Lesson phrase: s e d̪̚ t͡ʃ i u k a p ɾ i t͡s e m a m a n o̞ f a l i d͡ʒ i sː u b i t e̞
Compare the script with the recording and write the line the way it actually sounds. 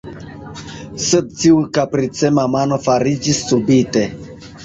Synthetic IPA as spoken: s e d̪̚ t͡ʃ i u k a p ɾ i t͡s e m a m a n o̞ f a ɾ i d͡ʒ i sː u b i t e̞